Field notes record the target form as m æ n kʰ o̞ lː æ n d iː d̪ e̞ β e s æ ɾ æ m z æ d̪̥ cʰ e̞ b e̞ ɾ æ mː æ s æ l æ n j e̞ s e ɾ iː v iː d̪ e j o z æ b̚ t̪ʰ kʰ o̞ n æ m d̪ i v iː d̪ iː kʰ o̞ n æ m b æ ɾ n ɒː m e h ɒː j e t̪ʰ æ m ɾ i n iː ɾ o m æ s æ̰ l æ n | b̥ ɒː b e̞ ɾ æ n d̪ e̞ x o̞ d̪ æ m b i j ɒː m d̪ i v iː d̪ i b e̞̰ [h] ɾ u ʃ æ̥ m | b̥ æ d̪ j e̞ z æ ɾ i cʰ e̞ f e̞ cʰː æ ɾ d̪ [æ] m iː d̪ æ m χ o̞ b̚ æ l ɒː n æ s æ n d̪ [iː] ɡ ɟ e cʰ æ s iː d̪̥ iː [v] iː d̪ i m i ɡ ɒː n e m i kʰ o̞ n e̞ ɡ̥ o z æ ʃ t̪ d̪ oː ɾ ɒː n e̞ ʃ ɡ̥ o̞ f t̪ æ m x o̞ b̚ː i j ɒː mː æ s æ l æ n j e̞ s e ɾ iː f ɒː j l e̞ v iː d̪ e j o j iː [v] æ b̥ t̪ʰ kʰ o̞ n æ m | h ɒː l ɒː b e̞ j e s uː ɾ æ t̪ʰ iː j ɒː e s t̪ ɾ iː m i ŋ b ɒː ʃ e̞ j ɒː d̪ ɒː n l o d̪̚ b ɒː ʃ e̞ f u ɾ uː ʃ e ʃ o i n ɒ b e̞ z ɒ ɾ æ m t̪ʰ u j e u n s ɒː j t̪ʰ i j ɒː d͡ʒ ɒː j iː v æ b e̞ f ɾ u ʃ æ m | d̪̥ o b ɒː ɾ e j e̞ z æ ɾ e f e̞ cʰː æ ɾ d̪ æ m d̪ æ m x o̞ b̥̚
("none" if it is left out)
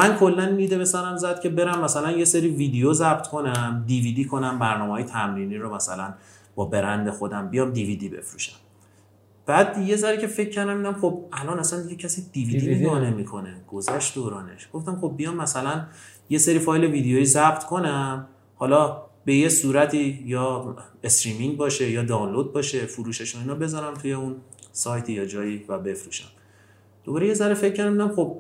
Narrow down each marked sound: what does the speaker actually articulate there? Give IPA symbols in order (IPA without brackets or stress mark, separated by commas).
f, æ, i, v, z